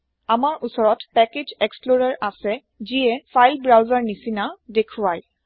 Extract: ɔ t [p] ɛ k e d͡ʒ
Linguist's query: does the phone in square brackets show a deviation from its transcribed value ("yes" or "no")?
no